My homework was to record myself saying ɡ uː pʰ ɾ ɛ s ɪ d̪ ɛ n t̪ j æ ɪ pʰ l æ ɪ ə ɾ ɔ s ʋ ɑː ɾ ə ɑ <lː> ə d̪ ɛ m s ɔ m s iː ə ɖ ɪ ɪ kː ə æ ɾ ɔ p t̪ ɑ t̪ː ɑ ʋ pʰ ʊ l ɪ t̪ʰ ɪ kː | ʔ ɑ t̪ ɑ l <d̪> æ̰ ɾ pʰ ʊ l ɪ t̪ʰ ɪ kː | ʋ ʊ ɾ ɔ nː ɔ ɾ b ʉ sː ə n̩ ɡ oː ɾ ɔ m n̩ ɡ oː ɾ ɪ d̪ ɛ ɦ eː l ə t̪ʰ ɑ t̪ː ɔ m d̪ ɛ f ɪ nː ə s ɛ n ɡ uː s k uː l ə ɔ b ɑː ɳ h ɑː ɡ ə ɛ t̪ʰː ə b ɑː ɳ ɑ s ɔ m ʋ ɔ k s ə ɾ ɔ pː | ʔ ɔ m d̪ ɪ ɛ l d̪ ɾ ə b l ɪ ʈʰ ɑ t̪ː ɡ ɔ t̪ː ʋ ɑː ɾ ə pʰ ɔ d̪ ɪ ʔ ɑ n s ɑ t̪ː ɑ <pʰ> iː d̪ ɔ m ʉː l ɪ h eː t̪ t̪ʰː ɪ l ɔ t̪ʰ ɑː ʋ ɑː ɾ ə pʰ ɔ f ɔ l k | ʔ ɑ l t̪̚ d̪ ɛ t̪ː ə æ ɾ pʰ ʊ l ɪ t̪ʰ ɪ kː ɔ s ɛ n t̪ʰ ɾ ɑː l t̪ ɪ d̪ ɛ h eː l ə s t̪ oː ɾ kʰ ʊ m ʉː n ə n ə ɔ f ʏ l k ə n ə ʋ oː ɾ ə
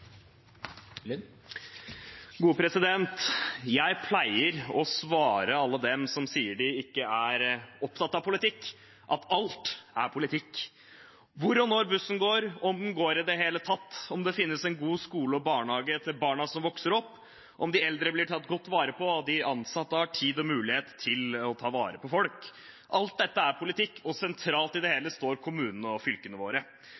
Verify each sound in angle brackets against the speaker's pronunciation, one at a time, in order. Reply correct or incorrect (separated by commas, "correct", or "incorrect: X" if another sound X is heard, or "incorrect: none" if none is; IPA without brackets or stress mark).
correct, incorrect: t̪, incorrect: ʈʰ